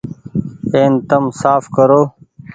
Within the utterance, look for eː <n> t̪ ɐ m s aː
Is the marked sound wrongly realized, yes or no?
no